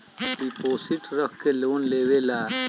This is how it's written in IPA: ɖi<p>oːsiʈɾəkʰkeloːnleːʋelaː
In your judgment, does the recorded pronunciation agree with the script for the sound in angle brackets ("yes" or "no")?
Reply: yes